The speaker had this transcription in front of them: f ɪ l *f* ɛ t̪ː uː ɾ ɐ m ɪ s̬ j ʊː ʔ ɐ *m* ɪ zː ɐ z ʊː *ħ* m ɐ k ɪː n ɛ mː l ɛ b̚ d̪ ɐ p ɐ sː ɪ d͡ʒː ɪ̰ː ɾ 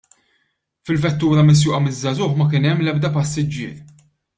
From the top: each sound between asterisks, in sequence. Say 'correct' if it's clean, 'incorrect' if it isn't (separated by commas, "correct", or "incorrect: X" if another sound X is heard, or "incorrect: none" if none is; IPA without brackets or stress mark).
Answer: incorrect: v, correct, correct